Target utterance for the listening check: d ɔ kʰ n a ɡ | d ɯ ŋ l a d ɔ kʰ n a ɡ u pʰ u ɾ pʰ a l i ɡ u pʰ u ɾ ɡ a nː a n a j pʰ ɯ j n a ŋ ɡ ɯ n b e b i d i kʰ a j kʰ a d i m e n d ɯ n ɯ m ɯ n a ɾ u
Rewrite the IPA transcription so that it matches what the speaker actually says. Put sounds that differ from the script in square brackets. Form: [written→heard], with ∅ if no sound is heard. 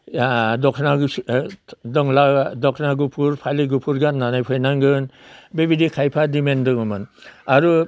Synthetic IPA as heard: d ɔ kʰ n a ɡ | d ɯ ŋ l a d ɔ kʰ n a ɡ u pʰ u ɾ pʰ a l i ɡ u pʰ u ɾ ɡ a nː a n a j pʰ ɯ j n a ŋ ɡ ɯ n b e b i d i kʰ a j [kʰ→pʰ] a d i m e n d ɯ [n→ŋ] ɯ m ɯ n a ɾ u